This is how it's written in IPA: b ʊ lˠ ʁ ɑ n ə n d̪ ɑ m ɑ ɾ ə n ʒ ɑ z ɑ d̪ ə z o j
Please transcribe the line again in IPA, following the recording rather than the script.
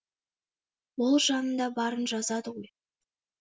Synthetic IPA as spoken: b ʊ lˠ ʒ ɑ n ə n d̪ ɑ b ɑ ɾ ə n ʒ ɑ z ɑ d̪ ə ʁ o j